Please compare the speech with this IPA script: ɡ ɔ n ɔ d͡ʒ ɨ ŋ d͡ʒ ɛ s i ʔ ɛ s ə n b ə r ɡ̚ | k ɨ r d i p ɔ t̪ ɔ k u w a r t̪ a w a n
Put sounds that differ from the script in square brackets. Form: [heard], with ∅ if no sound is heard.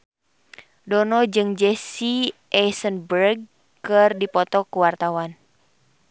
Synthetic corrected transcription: [d] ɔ n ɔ d͡ʒ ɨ ŋ d͡ʒ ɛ s i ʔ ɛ s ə n b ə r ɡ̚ | k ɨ r d i p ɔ t̪ ɔ k u w a r t̪ a w a n